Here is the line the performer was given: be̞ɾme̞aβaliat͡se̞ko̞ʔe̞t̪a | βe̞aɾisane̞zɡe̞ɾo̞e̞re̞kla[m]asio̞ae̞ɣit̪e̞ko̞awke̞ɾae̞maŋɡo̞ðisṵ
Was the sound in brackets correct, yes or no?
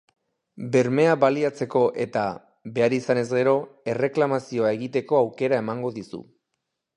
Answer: yes